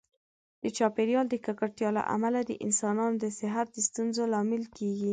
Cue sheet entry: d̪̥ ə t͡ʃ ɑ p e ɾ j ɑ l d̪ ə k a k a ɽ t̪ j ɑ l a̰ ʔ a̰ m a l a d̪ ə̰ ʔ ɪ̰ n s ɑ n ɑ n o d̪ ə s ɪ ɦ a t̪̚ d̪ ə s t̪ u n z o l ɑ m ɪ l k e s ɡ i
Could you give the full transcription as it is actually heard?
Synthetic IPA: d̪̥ ə t͡ʃ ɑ p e ɾ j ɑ l d̪ ə k a k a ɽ t̪ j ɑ l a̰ ʔ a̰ m a l a d̪ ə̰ ʔ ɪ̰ n s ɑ n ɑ n o d̪ ə s ɪ ɦ a t̪̚ d̪ ə s t̪ u n z o l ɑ m ɪ l k e ɡ i